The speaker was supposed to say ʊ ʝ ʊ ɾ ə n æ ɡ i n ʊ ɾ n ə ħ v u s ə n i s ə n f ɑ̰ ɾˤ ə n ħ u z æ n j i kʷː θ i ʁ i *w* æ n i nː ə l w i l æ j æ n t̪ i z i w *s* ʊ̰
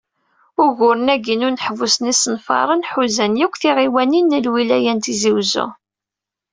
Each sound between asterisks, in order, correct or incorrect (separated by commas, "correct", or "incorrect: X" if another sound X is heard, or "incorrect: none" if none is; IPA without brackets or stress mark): correct, incorrect: z